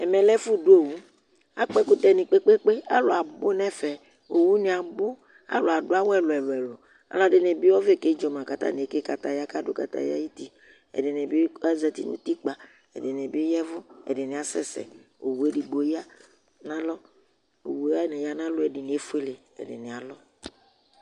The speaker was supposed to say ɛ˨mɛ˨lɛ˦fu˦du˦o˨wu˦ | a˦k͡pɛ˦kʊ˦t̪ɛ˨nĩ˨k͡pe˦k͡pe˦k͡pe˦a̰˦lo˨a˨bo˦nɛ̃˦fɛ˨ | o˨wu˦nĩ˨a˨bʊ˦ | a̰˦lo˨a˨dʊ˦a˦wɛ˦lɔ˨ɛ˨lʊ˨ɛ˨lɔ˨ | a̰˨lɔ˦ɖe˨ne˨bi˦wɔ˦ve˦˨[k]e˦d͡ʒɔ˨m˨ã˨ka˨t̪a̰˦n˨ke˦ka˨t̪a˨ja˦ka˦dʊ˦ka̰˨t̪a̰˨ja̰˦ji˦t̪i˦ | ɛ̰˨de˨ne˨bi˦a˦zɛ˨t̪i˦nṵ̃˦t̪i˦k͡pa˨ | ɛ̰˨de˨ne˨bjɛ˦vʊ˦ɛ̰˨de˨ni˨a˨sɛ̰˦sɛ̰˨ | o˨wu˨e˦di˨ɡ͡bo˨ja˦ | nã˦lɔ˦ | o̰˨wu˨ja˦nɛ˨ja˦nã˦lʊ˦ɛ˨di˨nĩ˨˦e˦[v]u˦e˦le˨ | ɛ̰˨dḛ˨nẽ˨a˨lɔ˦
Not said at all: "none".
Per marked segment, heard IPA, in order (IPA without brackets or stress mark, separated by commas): k, f